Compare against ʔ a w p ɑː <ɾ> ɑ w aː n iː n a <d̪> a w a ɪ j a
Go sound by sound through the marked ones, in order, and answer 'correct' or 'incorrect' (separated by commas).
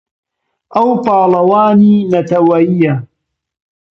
incorrect, incorrect